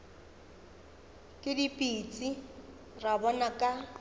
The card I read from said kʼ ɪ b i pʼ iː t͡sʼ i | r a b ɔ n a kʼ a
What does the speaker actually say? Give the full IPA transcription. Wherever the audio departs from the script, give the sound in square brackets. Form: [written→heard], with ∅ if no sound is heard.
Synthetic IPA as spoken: kʼ ɪ [b→d] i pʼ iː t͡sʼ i | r a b ɔ n a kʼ a